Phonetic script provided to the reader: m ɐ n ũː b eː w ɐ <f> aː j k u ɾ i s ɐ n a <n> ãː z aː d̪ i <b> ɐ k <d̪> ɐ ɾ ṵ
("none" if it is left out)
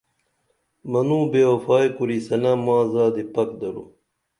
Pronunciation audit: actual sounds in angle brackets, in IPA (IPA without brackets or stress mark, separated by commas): f, m, p, d̪